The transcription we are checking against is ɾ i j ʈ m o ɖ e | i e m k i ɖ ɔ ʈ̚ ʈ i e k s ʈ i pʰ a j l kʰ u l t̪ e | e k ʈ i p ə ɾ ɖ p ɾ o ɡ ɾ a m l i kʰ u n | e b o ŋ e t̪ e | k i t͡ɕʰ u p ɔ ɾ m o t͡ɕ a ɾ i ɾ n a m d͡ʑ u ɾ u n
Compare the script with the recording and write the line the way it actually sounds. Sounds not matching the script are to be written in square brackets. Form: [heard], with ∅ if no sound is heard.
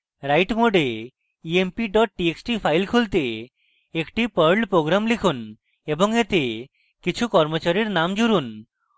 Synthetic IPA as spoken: ɾ [a] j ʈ m o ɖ e | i e m [p] i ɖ ɔ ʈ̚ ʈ i e k s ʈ i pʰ a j l kʰ u l t̪ e | e k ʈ i p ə ɾ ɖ p ɾ o ɡ ɾ a m l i kʰ u n | e b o ŋ e t̪ e | k i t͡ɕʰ u [k] ɔ ɾ m o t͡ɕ a ɾ i ɾ n a m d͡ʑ u ɾ u n